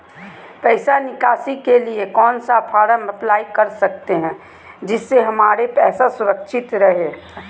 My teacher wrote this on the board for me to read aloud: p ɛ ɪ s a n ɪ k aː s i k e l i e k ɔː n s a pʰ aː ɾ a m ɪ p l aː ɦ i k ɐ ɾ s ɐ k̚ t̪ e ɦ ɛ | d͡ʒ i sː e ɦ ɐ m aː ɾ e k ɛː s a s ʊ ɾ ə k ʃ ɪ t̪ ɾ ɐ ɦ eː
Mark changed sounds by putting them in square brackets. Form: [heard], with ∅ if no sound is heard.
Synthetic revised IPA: p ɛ ɪ s a n ɪ k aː s i k e l i e k ɔː n s a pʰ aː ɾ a m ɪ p l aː [∅] i k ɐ ɾ s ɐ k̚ t̪ e ɦ [ɛ̃] | d͡ʒ [ɪ] sː e ɦ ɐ m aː ɾ e [p] ɛː s a s ʊ ɾ ə k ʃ ɪ t̪ ɾ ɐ ɦ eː

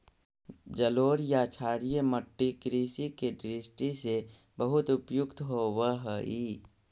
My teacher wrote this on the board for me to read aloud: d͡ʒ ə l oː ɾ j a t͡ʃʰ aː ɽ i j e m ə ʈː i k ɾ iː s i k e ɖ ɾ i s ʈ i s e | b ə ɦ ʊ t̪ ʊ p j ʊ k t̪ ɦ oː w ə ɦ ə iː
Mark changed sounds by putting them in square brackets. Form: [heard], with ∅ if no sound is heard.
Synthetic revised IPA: d͡ʒ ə l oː ɾ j a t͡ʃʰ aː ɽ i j e m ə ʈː i k ɾ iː s i k e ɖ ɾ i s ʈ i s e | b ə ɦ ʊ t̪ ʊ p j ʊ k t̪ ɦ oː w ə ɦ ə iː

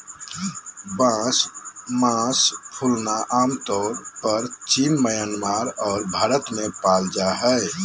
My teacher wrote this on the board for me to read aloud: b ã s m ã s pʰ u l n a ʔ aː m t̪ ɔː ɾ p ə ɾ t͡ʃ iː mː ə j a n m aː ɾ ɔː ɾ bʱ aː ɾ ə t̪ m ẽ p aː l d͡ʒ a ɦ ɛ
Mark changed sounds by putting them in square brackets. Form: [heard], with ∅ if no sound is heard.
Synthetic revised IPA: b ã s m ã s pʰ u l n a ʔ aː m t̪ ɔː ɾ p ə ɾ t͡ʃ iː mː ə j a n m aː ɾ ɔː ɾ bʱ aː ɾ ə t̪ m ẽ p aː l d͡ʒ a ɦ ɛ

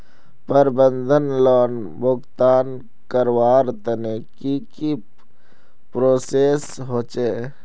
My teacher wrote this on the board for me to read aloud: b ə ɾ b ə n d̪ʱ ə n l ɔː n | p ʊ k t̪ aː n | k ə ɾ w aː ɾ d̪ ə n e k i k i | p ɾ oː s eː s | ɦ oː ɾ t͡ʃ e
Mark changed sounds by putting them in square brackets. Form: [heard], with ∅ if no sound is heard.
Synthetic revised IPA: [p] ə ɾ b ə n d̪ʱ ə n l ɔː n | [b] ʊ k t̪ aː n | k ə ɾ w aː ɾ [t̪] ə n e k i k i | p ɾ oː s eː s | ɦ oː [∅] t͡ʃ e

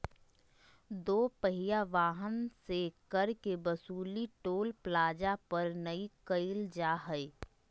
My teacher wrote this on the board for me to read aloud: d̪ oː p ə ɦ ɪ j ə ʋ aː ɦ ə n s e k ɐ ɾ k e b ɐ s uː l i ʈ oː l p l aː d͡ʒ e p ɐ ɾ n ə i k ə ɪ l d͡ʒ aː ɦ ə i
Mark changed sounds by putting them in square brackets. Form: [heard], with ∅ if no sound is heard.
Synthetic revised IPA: d̪ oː p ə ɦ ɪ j [a] ʋ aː ɦ ə n s e k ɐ ɾ k e b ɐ s uː l i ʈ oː l p l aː d͡ʒ [a] p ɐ ɾ n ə i k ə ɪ l d͡ʒ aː ɦ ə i

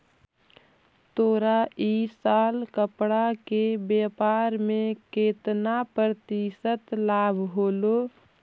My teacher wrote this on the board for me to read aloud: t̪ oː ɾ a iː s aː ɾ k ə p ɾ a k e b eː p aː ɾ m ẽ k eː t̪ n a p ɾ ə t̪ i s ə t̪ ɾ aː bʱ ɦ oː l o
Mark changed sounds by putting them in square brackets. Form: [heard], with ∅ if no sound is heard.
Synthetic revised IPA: t̪ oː ɾ a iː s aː [l] k ə p [ɽ] a k e b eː p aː ɾ m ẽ k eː t̪ n a p ɾ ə t̪ i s ə t̪ [l] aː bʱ ɦ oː l o

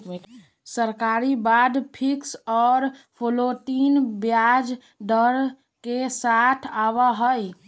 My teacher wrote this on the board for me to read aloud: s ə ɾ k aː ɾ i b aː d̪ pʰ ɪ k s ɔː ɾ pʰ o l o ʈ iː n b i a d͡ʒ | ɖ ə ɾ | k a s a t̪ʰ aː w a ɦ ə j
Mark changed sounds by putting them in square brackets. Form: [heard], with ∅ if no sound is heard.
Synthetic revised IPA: s ə ɾ k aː ɾ i b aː d̪ pʰ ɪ k s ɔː ɾ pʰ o l o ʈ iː n b [j] a d͡ʒ | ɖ ə ɾ | k [e] s a t̪ʰ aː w a ɦ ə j

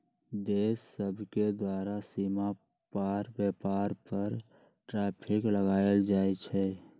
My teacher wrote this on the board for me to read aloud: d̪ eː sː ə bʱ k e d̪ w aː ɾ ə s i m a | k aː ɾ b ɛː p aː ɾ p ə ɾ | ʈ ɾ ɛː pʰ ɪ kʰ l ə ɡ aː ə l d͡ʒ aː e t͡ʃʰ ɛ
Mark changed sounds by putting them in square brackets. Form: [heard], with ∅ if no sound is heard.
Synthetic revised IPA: d̪ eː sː ə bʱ k e d̪ w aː ɾ [a] s i m a | [p] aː ɾ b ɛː p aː ɾ p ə ɾ | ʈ ɾ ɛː pʰ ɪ [k] l ə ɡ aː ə l d͡ʒ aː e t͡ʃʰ ɛ

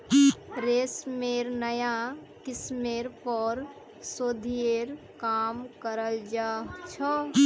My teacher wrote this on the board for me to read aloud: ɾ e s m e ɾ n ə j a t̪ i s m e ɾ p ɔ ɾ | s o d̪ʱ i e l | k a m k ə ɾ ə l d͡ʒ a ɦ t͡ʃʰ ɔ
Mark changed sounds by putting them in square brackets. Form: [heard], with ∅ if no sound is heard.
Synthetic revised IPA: ɾ e s m e ɾ n ə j a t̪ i s m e ɾ p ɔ ɾ | s o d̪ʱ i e [ɾ] | k a m k ə ɾ ə l d͡ʒ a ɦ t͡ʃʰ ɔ

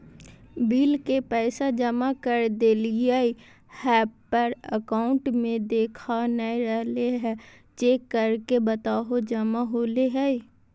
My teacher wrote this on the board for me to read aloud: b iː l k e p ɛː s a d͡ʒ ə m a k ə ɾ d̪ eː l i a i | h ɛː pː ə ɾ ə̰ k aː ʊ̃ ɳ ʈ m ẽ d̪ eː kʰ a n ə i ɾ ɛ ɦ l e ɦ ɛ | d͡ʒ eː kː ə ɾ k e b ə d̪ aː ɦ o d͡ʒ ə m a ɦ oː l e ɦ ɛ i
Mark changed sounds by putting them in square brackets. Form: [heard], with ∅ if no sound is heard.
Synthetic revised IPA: b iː l k e p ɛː s a d͡ʒ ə m a k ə ɾ d̪ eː l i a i | h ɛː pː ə ɾ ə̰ k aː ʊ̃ ɳ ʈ m ẽ d̪ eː kʰ a n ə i ɾ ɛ ɦ l e ɦ ɛ | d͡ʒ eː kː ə ɾ k e b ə [t̪] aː ɦ o d͡ʒ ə m a ɦ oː l e ɦ ɛ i

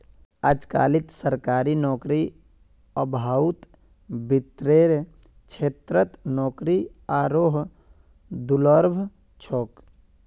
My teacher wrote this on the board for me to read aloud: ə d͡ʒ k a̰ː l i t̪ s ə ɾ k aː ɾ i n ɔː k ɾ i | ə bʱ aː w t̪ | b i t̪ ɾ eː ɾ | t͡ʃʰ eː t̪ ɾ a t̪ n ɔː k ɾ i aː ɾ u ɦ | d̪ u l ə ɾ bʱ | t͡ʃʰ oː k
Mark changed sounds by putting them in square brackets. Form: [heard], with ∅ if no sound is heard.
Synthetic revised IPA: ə d͡ʒ k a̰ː l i t̪ s ə ɾ k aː ɾ i n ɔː k ɾ i | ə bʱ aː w t̪ | b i t̪ ɾ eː ɾ | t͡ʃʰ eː t̪ ɾ [ə] t̪ n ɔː k ɾ i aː ɾ [o] ɦ | d̪ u l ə ɾ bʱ | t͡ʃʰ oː k

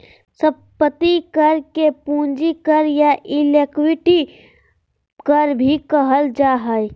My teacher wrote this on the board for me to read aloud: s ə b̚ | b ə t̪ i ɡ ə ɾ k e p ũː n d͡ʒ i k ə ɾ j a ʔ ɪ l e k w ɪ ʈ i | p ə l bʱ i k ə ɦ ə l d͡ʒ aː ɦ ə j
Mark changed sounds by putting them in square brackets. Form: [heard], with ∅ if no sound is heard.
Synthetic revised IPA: s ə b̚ | [p] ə t̪ i [k] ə ɾ k e p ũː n d͡ʒ i k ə ɾ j a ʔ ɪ l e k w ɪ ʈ i | [k] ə [ɾ] bʱ i k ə ɦ ə l d͡ʒ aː ɦ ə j

